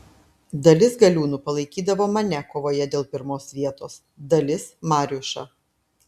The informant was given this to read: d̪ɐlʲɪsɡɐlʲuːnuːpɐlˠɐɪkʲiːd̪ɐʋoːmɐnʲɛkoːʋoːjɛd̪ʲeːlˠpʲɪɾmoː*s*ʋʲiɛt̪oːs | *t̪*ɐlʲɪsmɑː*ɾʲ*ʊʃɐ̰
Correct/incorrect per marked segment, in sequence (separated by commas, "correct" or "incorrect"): correct, incorrect, correct